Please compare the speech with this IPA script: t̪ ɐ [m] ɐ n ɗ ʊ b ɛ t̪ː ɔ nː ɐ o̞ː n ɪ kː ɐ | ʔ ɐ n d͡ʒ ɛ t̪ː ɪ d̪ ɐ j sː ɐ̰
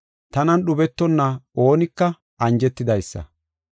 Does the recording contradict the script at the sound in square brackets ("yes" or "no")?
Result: yes